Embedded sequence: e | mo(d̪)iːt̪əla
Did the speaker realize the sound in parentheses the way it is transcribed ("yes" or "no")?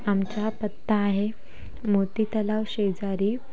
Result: no